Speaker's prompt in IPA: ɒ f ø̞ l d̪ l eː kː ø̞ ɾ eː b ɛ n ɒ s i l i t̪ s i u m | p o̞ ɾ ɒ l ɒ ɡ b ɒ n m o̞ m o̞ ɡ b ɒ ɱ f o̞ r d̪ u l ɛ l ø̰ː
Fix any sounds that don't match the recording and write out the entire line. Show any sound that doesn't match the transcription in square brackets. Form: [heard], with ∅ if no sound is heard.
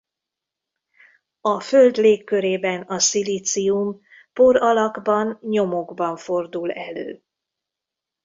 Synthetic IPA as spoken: ɒ f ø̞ l d̪ l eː kː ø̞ ɾ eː b ɛ n ɒ s i l i t̪ s i u m | p o̞ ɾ ɒ l ɒ ɡ b ɒ n [ɲ] o̞ m o̞ ɡ b ɒ ɱ f o̞ r d̪ u l ɛ l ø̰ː